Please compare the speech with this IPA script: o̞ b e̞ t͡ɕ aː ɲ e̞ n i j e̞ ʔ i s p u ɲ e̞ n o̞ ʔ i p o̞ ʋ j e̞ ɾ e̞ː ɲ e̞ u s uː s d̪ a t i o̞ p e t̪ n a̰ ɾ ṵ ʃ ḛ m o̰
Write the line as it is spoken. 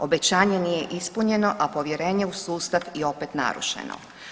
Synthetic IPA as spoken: o̞ b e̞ t͡ɕ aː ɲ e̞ n i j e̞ ʔ i s p u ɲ e̞ n o̞ ʔ a p o̞ ʋ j e̞ ɾ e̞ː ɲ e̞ u s uː s t̪ a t i o̞ p e t̪ n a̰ ɾ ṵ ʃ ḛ n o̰

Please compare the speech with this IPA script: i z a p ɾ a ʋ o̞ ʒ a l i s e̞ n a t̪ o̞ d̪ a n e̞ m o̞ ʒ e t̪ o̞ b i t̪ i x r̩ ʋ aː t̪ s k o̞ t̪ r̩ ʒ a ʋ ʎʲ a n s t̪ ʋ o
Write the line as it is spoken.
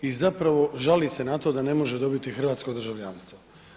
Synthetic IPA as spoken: i z a p ɾ a ʋ o̞ ʒ a l i s e̞ n a t̪ o̞ d̪ a n e̞ m o̞ ʒ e d̪ o̞ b i t̪ i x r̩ ʋ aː t̪ s k o̞ d̪ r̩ ʒ a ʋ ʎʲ a n s t̪ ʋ o

